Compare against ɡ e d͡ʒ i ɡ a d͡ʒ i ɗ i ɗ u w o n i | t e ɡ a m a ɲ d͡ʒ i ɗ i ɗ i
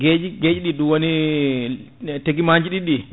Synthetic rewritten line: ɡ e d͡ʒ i ɡ e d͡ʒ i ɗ i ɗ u w o n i | t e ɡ i m a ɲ d͡ʒ i ɗ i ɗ i